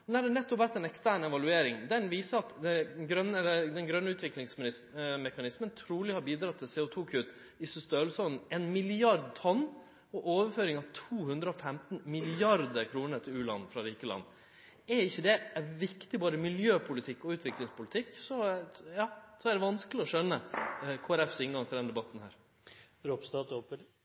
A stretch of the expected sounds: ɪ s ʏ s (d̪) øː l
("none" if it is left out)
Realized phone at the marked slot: t̪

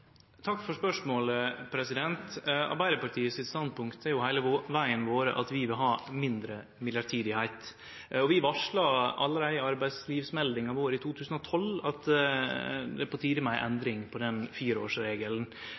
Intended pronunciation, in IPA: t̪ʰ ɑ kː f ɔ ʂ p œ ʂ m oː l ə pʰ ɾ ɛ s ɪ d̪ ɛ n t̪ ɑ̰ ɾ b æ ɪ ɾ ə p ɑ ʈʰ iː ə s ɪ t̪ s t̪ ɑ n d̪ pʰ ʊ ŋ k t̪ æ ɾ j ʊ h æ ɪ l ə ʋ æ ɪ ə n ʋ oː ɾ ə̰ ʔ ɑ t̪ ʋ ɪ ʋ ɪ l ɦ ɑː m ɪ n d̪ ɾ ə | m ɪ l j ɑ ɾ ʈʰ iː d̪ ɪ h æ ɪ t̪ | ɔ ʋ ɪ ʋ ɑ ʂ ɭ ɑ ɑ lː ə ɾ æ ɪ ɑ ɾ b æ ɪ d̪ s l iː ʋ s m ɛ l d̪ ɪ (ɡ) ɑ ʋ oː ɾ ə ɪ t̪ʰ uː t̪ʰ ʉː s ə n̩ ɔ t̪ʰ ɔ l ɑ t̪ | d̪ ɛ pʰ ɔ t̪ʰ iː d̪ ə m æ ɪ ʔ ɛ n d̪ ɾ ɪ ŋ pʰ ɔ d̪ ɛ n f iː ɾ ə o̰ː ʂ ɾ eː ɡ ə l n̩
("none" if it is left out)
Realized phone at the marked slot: ŋ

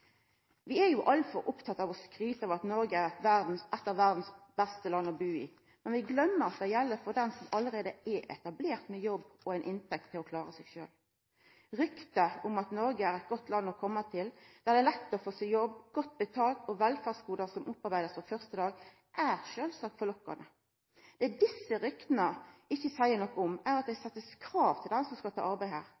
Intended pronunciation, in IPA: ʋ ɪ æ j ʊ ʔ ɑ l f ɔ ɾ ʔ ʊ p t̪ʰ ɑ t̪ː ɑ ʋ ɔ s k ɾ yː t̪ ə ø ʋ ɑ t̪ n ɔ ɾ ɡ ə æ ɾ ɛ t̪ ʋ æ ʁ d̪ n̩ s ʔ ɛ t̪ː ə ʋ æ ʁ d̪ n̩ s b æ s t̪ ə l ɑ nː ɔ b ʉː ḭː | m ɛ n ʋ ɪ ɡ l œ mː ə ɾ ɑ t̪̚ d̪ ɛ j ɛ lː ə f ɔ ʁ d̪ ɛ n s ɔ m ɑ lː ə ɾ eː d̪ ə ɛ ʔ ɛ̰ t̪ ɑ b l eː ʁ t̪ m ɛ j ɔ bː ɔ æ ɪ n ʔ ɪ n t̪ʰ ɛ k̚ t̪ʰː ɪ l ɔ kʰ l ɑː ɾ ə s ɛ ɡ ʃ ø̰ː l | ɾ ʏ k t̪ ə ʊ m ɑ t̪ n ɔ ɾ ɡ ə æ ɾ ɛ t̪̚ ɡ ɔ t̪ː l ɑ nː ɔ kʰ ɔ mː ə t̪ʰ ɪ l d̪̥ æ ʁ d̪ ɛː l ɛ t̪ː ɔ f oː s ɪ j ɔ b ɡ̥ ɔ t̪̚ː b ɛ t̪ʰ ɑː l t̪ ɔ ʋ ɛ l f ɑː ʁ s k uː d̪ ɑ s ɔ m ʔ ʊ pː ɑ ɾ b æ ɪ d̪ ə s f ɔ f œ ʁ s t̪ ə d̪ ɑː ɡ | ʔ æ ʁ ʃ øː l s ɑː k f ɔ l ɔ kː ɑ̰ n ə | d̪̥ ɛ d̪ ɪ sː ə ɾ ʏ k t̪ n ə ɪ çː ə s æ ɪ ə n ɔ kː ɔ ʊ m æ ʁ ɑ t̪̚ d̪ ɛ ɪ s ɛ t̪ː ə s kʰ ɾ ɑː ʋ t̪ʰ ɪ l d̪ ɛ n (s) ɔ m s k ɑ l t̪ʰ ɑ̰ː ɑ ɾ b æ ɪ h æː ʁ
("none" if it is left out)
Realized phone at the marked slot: s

